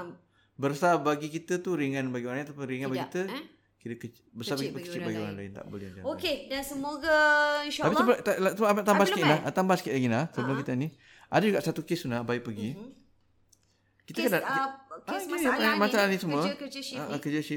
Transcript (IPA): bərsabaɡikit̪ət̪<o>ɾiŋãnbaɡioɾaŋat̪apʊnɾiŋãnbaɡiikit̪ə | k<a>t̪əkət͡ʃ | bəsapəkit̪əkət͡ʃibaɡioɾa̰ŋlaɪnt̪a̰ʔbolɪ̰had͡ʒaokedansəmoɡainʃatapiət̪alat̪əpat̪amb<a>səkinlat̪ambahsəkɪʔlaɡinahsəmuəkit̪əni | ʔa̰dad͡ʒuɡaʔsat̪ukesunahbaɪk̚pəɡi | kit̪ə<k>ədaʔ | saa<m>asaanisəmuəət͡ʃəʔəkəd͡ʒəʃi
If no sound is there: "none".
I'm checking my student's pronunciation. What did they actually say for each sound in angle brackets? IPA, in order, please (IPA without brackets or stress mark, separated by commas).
u, i, a, k, m